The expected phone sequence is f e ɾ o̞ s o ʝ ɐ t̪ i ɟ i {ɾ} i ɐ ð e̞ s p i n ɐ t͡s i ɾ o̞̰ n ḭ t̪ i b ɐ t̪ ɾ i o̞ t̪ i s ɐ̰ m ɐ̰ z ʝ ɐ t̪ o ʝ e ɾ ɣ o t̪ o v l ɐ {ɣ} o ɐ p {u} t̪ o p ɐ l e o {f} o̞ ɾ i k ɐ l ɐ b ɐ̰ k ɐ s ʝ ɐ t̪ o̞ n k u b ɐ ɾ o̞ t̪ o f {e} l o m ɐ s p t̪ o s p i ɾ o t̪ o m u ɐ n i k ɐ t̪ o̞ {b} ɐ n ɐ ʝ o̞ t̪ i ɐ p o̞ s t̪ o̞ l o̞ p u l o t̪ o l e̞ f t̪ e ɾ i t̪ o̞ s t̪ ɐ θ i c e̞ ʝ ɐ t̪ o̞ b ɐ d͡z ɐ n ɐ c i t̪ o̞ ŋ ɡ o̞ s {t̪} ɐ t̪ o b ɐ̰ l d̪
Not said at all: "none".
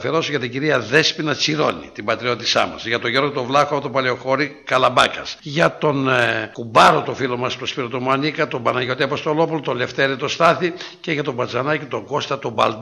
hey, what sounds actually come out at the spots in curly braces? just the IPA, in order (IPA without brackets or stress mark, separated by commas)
ɾ, x, o, x, i, b, t̪